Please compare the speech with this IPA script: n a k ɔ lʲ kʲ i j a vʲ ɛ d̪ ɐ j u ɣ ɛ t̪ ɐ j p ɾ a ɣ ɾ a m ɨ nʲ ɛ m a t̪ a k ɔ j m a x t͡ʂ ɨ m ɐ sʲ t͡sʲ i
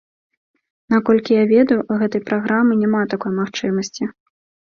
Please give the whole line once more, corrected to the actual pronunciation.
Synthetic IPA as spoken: n a k ɔ lʲ kʲ i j a vʲ ɛ d̪ ɐ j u ɣ ɛ t̪ ɐ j p ɾ a ɣ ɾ a m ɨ nʲ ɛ m a t̪ a k ɔ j m a x t͡ʂ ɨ m ɐ sʲ t͡sʲ i